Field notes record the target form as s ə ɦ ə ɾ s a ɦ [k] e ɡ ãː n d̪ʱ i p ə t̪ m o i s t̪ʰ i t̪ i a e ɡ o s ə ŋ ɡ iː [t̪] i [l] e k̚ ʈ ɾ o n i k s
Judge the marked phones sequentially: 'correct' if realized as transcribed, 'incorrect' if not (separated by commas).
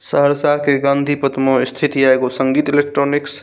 correct, correct, correct